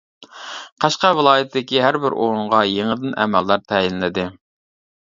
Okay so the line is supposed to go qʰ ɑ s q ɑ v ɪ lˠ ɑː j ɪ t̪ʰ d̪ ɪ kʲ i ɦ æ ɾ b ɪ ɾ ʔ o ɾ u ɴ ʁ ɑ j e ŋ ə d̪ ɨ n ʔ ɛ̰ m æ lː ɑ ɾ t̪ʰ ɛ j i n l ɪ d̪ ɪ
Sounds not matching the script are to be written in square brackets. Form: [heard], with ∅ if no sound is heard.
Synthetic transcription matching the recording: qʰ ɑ [ʃ] q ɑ v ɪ lˠ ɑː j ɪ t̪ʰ d̪ ɪ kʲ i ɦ æ ɾ b ɪ ɾ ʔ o ɾ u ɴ ʁ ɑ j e ŋ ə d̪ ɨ n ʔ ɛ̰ m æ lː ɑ ɾ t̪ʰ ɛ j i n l ɪ d̪ ɪ